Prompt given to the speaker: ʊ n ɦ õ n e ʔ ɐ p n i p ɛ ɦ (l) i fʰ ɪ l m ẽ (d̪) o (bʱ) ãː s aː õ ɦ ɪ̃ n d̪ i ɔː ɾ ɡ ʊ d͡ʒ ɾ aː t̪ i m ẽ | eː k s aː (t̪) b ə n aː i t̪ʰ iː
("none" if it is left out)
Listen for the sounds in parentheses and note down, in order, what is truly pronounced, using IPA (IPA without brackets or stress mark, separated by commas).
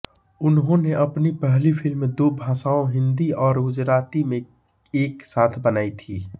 l, d̪, bʱ, t̪ʰ